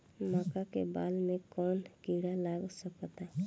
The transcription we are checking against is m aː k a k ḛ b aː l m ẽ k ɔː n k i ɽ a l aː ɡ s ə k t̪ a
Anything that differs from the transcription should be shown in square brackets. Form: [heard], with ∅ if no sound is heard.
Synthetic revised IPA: m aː k a k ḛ b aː l m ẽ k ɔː n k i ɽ a l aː ɡ s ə k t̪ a